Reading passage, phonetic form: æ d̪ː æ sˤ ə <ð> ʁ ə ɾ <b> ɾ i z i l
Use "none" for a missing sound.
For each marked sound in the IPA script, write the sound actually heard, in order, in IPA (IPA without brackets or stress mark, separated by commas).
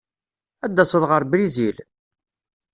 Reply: ð, b